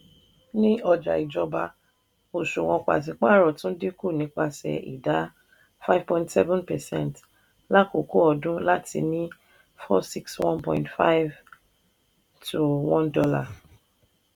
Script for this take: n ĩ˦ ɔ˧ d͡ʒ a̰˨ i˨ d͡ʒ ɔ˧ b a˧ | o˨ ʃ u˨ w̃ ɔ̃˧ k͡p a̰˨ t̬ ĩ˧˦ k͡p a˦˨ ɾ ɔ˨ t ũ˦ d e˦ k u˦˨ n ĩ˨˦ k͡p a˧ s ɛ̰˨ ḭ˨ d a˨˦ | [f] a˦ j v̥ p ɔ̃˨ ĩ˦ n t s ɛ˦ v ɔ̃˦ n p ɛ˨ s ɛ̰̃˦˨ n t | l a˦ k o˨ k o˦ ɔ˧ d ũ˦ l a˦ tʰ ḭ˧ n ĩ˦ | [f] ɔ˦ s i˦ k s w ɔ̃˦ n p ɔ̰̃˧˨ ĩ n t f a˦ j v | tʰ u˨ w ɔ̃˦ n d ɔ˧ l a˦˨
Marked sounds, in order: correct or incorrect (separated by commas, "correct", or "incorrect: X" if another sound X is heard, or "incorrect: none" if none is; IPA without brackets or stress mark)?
correct, correct